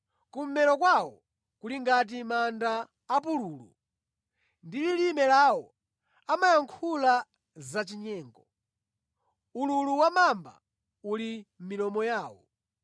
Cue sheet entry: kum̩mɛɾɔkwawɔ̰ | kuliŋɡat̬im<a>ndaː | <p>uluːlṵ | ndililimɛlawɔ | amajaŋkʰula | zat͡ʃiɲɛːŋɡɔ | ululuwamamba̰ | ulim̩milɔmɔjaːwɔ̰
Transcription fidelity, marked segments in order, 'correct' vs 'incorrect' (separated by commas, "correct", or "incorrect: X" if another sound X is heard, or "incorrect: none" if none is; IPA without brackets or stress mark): correct, correct